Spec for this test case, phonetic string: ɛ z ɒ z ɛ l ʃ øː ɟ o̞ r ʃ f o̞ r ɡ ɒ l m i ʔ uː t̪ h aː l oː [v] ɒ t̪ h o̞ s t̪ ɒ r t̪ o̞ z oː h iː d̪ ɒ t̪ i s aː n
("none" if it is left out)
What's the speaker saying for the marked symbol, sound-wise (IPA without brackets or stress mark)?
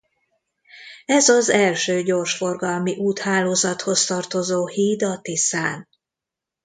z